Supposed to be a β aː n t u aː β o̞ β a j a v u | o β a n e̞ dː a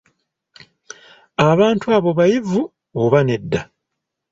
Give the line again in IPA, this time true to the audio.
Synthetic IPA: a β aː n t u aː β o̞ β a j i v u | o β a n e̞ dː a